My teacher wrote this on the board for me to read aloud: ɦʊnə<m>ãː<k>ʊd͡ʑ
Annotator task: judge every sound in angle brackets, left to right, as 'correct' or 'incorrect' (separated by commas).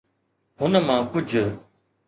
correct, correct